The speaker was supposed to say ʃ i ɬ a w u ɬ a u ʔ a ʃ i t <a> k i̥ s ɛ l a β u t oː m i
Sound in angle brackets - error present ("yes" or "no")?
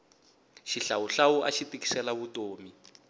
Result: yes